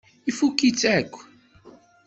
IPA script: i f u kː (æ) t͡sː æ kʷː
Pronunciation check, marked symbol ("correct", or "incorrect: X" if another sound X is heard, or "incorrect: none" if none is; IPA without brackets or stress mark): incorrect: i